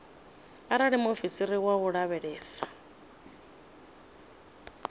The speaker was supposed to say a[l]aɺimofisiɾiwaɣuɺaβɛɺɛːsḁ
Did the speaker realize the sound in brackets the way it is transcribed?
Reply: no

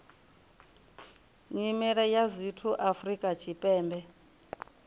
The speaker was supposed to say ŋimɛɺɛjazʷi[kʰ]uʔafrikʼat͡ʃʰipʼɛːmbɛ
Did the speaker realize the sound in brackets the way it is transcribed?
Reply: no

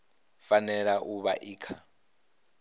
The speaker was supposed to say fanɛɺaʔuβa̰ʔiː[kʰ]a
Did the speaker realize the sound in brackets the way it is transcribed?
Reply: yes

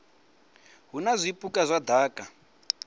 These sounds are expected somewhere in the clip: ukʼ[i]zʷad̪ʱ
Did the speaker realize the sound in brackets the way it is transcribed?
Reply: no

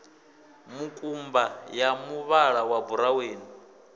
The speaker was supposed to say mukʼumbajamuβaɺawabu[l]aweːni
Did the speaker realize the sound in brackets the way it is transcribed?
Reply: no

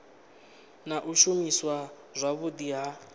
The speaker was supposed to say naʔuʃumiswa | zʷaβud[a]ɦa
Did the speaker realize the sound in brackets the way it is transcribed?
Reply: no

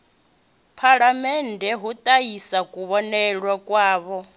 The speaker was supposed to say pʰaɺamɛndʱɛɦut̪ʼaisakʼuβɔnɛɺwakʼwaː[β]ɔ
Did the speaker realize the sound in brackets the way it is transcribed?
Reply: yes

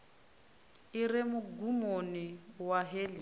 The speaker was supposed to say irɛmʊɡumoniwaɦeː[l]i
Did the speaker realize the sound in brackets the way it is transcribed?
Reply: yes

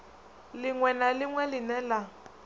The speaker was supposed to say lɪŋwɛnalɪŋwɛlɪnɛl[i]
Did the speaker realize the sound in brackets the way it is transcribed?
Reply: no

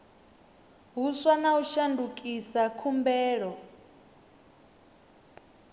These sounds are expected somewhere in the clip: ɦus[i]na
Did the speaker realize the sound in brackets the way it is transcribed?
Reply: no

